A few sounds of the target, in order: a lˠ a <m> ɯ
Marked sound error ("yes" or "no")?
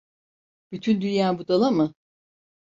no